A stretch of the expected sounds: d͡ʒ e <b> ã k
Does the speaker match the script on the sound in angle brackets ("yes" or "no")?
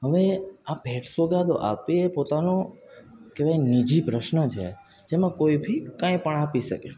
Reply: no